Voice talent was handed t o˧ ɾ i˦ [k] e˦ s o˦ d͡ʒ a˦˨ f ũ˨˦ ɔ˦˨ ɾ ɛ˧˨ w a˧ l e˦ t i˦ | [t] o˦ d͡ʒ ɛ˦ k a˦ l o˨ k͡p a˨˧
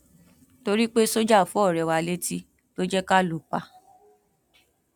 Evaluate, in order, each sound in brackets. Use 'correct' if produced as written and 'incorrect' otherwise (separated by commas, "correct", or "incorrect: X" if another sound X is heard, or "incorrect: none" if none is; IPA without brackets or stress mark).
incorrect: k͡p, correct